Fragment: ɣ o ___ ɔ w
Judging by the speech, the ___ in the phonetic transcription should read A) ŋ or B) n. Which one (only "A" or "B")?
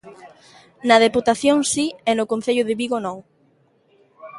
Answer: B